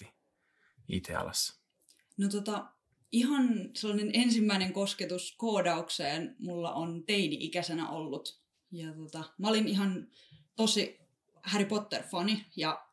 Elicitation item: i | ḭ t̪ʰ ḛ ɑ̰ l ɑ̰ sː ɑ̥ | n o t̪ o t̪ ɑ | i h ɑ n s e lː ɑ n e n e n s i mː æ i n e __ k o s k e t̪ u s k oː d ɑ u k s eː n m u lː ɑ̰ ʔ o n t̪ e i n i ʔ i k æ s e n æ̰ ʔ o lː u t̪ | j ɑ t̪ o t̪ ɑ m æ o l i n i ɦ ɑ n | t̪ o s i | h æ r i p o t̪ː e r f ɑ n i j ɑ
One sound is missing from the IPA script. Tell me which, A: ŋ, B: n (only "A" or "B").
A